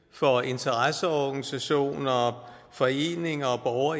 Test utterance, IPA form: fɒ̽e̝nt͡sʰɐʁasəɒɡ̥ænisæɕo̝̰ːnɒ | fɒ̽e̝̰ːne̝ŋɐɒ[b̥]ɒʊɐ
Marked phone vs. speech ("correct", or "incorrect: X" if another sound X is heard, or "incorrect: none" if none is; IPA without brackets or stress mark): correct